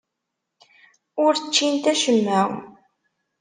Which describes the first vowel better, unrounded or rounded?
rounded